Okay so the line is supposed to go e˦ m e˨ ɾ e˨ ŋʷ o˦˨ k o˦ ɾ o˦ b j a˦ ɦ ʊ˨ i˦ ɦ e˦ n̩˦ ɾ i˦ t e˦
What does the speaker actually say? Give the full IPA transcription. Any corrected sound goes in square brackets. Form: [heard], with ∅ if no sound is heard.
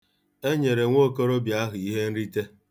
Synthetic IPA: e˦ [ɲ] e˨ ɾ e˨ ŋʷ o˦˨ k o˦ ɾ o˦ b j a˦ ɦ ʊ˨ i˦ ɦ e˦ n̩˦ ɾ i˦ t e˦